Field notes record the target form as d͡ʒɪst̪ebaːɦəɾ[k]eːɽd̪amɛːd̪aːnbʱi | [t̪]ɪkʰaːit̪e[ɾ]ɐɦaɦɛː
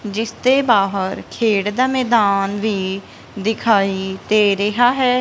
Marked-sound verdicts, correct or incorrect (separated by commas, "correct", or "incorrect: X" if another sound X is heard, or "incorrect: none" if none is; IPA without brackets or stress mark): incorrect: kʰ, incorrect: d̪, correct